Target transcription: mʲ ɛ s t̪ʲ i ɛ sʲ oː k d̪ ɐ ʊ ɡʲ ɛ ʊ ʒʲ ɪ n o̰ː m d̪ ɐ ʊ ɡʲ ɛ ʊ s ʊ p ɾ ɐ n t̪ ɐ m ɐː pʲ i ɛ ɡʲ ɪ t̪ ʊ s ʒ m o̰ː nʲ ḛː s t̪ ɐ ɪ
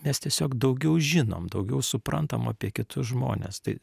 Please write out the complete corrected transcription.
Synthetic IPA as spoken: mʲ ɛ s t̪ʲ i ɛ sʲ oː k d̪ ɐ ʊ ɡʲ ɛ ʊ ʒʲ ɪ n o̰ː m d̪ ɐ ʊ ɡʲ ɛ ʊ s ʊ p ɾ ɐ n t̪ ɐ m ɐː pʲ i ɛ kʲ ɪ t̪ ʊ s ʒ m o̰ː nʲ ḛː s t̪ ɐ ɪ